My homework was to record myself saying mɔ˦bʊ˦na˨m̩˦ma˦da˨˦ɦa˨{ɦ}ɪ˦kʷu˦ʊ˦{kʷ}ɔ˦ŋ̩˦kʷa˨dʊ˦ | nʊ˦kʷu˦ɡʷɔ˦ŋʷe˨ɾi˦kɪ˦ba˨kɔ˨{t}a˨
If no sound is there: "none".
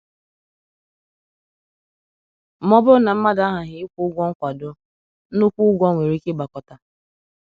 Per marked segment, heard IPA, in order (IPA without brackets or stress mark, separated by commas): ɦ, ɡʷ, t